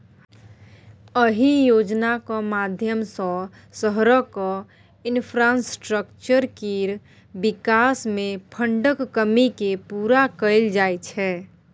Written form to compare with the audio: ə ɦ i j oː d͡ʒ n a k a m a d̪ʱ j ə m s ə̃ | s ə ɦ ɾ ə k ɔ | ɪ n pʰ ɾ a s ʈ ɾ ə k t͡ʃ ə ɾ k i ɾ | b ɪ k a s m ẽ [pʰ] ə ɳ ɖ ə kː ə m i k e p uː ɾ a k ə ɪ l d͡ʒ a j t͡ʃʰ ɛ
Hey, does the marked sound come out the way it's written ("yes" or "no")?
yes